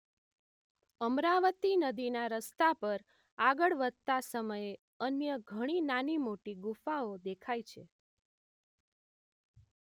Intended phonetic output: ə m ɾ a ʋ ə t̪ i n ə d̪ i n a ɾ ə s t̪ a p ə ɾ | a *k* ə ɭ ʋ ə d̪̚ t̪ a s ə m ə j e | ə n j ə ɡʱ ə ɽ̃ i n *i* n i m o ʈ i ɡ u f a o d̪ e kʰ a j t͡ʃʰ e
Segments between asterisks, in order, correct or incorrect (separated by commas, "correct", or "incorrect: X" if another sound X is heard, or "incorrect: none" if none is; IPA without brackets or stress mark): incorrect: ɡ, incorrect: a